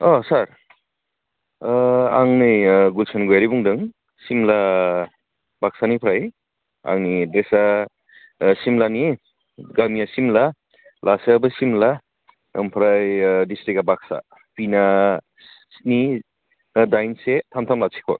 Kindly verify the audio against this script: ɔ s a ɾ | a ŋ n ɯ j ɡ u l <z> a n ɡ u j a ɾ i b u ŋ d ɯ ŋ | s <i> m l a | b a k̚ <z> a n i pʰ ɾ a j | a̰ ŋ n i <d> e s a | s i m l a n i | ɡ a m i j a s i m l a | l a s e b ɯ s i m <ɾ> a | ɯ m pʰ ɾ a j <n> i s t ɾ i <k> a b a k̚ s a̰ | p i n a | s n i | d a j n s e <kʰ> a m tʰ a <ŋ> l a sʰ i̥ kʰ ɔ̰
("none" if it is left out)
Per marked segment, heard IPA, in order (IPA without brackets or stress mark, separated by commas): s, i, s, d, l, d, k, tʰ, m